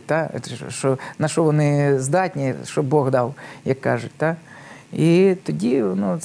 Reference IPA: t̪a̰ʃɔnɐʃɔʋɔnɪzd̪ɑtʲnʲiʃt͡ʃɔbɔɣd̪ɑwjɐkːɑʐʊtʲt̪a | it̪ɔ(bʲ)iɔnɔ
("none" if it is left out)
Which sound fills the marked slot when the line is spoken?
dʲ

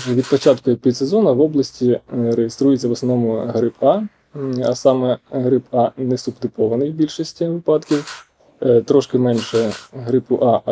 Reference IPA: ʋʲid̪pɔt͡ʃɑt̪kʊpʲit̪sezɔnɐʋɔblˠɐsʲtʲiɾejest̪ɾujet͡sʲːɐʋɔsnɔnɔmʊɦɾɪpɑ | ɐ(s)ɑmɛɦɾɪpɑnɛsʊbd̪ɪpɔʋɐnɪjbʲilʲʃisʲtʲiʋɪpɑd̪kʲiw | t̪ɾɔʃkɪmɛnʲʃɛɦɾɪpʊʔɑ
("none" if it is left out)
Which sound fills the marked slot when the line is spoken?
s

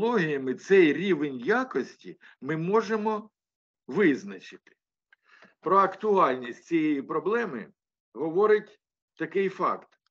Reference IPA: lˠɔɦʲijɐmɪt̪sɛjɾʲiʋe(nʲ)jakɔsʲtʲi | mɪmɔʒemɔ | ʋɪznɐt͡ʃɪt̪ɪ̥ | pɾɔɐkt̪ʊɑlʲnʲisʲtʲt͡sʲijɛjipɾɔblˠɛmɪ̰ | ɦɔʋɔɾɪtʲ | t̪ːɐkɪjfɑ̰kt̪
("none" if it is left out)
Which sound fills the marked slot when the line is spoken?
nʲ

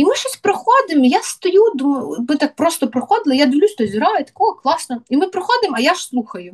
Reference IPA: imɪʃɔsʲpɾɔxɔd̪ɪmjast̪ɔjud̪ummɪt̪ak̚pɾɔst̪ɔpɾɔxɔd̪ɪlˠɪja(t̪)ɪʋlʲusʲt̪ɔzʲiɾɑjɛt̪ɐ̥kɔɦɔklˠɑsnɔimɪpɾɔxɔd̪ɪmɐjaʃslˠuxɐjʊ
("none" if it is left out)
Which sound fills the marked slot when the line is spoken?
d̪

